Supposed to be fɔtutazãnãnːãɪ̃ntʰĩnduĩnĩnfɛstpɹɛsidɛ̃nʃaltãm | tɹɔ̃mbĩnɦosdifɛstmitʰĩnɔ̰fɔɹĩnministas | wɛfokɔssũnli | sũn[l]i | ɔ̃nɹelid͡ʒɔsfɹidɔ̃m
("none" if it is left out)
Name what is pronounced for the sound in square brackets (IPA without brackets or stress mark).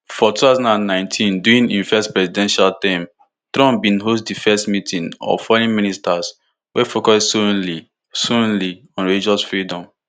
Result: l